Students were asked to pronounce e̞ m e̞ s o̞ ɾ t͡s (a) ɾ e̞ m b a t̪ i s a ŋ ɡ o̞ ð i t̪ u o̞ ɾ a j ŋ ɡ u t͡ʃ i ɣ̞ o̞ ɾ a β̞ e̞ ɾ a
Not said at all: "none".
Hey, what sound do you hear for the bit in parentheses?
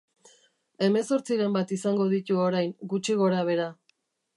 i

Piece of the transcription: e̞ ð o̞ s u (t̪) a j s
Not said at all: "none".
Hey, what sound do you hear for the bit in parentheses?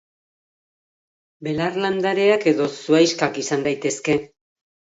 none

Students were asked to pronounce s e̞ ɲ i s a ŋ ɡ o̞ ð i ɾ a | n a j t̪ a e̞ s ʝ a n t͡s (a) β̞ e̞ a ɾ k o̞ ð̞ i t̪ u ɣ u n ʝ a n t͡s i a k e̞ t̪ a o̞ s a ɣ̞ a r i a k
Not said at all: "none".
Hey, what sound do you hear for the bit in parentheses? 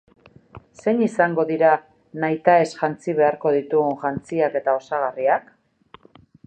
i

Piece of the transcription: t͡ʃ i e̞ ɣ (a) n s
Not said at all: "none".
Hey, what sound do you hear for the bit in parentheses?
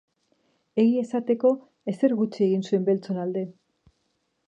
i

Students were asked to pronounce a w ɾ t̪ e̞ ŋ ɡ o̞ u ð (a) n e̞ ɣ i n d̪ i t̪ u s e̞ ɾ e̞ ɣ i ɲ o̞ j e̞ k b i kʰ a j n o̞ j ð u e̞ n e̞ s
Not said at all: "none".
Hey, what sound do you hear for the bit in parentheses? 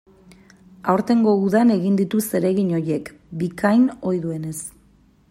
a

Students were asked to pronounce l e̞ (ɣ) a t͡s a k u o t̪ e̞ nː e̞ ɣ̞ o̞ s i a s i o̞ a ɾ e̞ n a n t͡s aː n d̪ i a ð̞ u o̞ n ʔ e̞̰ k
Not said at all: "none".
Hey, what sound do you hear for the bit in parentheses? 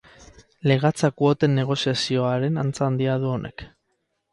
ɣ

